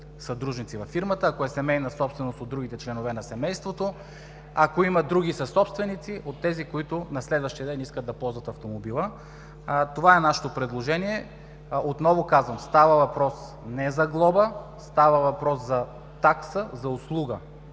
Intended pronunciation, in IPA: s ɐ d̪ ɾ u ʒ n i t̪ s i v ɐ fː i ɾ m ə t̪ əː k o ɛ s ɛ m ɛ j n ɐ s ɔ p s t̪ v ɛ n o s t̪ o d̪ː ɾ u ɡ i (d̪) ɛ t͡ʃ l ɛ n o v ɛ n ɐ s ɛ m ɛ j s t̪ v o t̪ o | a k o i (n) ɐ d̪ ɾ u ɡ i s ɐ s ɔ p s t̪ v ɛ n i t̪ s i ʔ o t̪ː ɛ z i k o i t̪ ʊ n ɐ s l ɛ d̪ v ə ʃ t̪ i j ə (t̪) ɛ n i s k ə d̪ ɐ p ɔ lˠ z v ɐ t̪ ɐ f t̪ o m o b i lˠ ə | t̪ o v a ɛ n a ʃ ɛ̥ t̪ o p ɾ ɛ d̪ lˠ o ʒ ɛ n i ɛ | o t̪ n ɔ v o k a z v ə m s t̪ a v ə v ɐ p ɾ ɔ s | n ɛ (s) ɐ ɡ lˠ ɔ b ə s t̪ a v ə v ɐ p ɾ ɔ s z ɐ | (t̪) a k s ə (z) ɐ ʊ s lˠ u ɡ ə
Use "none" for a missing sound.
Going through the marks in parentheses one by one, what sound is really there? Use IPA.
t̪, m, d̪, z, t̪, z

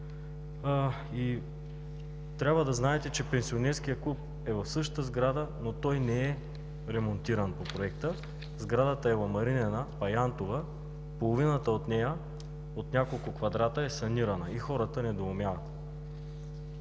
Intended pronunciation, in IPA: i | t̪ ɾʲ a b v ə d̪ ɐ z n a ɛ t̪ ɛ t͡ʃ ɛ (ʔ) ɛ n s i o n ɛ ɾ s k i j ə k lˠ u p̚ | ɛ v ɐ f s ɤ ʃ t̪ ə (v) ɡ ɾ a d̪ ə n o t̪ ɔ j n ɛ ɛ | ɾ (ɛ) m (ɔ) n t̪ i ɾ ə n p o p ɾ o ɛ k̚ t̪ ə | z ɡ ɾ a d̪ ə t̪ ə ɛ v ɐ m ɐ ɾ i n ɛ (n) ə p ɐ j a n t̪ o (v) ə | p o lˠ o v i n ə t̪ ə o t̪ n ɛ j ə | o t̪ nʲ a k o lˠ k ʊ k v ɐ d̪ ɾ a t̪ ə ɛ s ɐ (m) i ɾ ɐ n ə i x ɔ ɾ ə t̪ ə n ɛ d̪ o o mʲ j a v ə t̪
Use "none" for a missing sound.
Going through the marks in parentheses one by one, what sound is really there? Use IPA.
p, z, ɛ, o, n, v, n

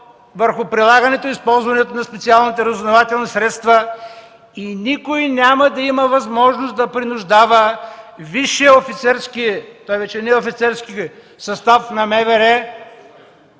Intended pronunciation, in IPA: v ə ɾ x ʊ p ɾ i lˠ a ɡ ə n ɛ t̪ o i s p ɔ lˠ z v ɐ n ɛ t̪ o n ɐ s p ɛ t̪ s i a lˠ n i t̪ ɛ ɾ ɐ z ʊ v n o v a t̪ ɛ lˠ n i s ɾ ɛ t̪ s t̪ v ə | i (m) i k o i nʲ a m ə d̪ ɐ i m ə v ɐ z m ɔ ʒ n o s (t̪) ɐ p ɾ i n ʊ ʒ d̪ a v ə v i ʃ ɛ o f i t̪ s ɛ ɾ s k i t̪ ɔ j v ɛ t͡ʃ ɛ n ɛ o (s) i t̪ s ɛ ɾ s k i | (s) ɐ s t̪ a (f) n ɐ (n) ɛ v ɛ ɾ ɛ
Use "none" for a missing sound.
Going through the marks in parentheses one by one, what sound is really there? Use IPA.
n, d̪, f, s, f, m

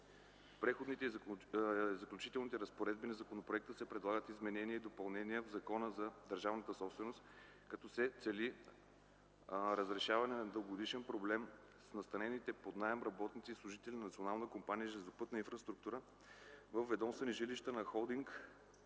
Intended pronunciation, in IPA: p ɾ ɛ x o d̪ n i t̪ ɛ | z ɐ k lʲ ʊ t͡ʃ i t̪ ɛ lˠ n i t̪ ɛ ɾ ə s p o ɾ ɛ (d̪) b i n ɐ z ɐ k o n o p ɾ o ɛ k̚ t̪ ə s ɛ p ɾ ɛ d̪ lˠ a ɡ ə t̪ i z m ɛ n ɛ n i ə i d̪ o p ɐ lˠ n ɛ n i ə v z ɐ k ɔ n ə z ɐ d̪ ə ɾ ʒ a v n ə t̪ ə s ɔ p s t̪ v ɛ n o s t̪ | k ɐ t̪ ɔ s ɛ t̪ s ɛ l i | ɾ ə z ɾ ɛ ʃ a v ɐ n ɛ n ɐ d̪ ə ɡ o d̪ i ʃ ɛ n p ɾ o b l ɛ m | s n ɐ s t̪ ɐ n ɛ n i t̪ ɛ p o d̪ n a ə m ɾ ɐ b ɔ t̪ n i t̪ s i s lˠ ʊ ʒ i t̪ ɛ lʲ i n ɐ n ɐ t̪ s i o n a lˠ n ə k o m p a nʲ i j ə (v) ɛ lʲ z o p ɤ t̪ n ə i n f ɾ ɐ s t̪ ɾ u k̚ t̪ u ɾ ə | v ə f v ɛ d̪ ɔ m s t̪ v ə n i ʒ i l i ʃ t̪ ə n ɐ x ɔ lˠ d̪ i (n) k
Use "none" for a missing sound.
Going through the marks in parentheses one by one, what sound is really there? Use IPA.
d̪, ʒ, ŋ

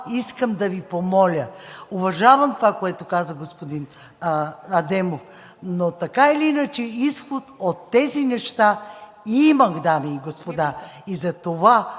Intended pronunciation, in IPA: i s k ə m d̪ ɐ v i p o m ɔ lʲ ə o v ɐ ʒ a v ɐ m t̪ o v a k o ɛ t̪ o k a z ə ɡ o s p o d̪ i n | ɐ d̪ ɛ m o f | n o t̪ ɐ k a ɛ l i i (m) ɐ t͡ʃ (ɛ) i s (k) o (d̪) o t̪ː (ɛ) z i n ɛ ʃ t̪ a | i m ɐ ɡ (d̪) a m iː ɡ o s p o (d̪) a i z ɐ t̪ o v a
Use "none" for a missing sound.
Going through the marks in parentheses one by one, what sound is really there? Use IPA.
n, ɛ, x, t̪, ɛ, d̪, d̪

